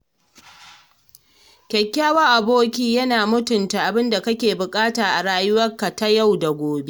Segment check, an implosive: absent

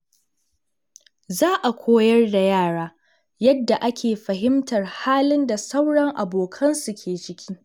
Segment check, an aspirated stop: present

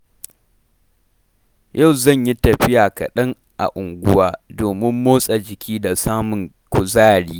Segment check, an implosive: present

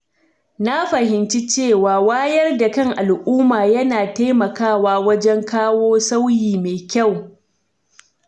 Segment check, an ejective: absent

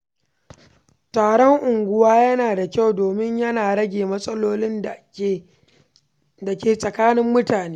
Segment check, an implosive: absent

